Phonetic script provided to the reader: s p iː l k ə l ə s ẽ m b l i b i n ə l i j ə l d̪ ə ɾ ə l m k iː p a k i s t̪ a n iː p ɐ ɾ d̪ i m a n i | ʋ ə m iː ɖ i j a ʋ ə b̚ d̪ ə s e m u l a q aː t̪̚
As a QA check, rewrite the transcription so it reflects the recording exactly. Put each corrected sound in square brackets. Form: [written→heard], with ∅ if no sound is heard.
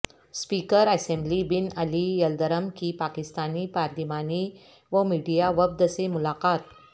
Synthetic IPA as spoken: s p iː [l→∅] k ə [l→ɾ] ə s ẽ m b l i b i n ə l i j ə l d̪ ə ɾ ə [l→∅] m k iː p a k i s t̪ a n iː p [ɐ→a] ɾ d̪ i m a n i | ʋ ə m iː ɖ i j a ʋ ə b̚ d̪ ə s e m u l a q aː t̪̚